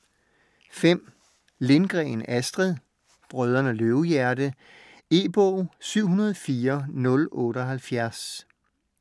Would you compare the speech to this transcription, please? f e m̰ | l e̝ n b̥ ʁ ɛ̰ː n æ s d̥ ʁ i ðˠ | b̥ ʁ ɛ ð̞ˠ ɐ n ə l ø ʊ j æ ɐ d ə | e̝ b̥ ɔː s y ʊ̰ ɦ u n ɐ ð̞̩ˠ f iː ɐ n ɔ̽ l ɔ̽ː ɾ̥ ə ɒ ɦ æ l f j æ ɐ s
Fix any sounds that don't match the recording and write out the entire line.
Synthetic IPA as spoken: f e m̰ | l e̝ n ɡ̥ ʁ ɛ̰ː n æ s d̥ ʁ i ðˠ | b̥ ʁ œ ð̞ˠ ɐ n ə l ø ʊ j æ ɐ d ə | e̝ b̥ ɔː s y ʊ̰ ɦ u n ɐ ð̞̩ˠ f iː ɐ n ɔ̽ l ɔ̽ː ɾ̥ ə ɒ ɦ æ l f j æ ɐ s

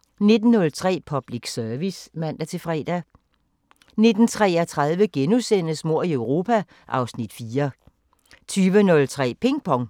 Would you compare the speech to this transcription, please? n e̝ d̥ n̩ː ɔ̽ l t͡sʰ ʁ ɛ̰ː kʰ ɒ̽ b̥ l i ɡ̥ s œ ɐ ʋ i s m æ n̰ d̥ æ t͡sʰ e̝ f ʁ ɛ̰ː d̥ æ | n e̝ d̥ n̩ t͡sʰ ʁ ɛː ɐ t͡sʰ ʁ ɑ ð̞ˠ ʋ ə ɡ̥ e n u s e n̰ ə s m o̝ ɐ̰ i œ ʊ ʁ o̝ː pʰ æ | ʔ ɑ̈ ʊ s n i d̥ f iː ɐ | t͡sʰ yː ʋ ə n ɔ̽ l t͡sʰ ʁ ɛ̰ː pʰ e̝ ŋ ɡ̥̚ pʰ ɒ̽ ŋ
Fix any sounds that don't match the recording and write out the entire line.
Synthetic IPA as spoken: n e̝ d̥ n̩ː ɔ̽ l t͡sʰ ʁ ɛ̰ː pʰ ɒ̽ b̥ l i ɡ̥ s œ ɐ ʋ i s m æ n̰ d̥ æ t͡sʰ e̝ f ʁ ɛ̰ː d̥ æ | n e̝ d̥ n̩ t͡sʰ ʁ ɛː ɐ t͡sʰ ʁ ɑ ð̞ˠ ʋ ə ɡ̥ e n u s e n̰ ə s m o̝ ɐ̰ i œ ʊ ʁ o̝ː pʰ æ | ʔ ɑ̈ ʊ s n i d̥ f iː ɐ | t͡sʰ yː ʋ ə n ɔ̽ l t͡sʰ ʁ ɛ̰ː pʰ e̝ ŋ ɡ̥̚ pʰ ɒ̽ ŋ

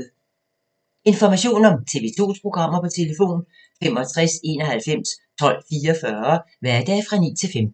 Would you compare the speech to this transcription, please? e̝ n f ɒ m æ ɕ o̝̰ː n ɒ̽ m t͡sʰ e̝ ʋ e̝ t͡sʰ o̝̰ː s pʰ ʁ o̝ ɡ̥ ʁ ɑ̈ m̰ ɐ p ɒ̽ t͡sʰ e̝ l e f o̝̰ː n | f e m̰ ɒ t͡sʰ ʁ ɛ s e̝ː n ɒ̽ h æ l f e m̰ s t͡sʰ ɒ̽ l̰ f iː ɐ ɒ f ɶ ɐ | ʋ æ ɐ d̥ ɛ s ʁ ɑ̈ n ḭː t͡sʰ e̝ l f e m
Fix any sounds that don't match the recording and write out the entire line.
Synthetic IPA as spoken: e̝ n f ɒ m æ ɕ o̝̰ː n ɒ̽ m t͡sʰ e̝ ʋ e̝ t͡sʰ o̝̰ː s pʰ ʁ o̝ ɡ̥ ʁ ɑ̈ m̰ ɐ p ɒ̽ t͡sʰ e̝ l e f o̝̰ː n | f e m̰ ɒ t͡sʰ ʁ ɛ s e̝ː n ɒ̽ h æ l f e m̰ s t͡sʰ ɒ̽ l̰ f iː ɐ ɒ f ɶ ɐ | ʋ æ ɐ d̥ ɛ f ʁ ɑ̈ n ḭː t͡sʰ e̝ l f e m

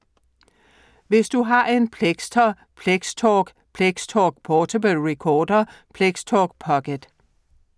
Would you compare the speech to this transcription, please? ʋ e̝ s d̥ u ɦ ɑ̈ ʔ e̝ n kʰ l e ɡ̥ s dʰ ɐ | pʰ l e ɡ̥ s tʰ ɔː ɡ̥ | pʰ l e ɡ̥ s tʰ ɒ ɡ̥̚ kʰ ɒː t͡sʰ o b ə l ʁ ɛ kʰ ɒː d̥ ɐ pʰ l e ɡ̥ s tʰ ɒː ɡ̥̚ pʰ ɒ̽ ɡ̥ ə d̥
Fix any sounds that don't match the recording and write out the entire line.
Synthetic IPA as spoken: ʋ e̝ s d̥ u ɦ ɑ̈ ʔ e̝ n pʰ l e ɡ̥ s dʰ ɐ | pʰ l e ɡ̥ s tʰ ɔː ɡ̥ | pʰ l e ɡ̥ s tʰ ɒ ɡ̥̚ pʰ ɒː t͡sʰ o b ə l ʁ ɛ kʰ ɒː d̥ ɐ pʰ l e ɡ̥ s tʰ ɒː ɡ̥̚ pʰ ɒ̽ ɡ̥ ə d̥

